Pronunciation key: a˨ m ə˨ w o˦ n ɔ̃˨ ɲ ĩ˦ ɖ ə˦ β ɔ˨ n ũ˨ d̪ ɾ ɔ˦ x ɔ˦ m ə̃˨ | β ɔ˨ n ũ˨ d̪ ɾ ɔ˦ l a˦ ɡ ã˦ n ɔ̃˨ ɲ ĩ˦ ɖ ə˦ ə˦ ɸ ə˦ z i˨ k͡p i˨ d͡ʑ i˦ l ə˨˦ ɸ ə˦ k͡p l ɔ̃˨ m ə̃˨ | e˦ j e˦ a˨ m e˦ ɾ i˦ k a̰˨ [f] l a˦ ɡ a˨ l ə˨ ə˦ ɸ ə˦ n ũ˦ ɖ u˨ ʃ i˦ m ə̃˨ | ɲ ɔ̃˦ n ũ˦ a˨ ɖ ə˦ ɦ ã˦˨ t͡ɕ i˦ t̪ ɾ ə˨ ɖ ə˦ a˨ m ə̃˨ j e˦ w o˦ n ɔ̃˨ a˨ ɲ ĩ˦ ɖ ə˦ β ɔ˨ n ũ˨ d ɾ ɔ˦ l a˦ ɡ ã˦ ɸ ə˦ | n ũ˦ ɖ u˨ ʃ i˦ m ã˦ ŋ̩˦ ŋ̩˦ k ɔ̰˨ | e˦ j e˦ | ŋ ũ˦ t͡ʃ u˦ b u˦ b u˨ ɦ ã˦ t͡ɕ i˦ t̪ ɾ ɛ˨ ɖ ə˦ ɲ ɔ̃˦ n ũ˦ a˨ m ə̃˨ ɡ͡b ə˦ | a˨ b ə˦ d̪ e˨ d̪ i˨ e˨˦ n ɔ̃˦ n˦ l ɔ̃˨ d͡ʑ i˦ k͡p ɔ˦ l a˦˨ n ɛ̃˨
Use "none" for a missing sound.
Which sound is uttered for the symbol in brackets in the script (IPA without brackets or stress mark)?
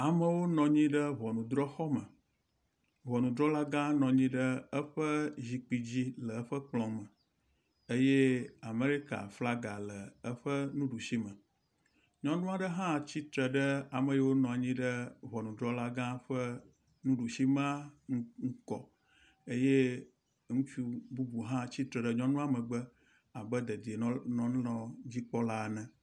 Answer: f